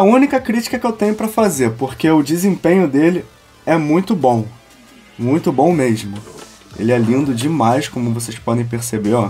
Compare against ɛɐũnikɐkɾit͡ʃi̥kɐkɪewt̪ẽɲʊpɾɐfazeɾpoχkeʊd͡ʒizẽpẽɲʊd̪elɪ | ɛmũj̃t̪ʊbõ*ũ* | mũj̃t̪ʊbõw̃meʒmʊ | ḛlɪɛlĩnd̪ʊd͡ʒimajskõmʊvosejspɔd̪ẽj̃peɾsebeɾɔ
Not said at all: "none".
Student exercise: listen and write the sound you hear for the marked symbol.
w̃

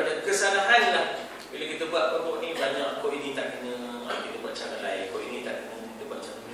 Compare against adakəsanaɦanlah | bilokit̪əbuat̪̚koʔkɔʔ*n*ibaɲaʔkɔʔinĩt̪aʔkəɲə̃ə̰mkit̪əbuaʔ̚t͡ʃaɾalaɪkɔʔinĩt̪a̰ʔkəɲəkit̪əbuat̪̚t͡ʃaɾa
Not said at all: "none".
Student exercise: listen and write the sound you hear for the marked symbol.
n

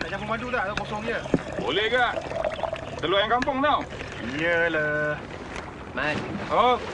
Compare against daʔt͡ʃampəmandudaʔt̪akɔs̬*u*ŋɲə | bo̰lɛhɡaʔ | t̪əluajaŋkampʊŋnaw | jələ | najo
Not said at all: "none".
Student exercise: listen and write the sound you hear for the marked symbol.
ɔ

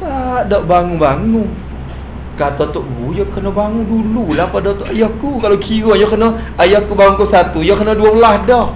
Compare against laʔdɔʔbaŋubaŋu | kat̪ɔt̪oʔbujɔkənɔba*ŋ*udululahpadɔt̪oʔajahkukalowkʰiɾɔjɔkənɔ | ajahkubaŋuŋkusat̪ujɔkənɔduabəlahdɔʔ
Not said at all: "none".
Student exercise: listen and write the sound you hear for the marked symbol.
ŋ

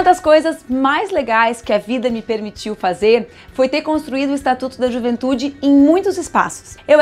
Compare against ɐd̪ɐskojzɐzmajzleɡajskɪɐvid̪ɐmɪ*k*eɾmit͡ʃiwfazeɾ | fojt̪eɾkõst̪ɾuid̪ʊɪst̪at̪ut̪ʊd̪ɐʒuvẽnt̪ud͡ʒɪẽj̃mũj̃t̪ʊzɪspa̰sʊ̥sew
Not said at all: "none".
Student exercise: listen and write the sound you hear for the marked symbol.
p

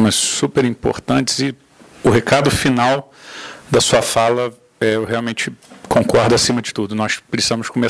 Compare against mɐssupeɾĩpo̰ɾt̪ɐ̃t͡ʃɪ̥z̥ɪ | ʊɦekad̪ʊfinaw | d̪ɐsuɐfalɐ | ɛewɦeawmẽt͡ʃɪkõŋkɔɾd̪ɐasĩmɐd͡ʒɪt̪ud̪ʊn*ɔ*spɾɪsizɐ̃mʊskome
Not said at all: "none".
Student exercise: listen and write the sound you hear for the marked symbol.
ɔ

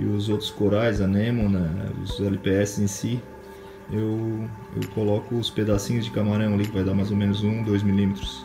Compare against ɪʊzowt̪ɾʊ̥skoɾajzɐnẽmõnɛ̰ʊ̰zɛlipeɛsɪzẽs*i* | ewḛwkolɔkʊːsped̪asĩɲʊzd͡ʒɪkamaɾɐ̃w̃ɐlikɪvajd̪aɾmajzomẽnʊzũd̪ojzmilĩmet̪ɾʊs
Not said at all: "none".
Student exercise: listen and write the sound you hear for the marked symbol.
i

